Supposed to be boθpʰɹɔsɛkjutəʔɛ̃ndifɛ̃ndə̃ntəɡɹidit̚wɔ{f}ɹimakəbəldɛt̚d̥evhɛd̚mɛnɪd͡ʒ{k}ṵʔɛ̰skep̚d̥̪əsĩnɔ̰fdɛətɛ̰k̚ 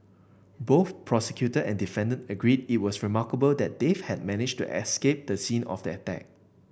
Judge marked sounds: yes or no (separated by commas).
no, no